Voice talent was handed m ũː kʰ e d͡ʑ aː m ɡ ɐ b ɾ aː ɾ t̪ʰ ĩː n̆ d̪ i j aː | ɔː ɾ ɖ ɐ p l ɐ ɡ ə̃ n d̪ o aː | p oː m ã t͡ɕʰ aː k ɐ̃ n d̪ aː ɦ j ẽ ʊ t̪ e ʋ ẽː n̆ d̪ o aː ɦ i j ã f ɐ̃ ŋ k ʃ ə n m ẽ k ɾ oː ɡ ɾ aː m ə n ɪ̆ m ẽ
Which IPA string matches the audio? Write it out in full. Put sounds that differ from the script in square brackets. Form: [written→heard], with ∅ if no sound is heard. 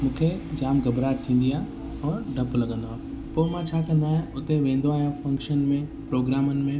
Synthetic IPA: m ũː kʰ e d͡ʑ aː m ɡ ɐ b ɾ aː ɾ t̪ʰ ĩː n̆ d̪ i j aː | ɔː ɾ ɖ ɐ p l ɐ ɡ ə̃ n d̪ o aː | p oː m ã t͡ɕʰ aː k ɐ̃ n d̪ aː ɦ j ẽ ʊ t̪ e ʋ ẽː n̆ d̪ o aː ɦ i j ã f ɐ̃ ŋ k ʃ ə n m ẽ [k→p] ɾ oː ɡ ɾ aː m ə n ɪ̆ m ẽ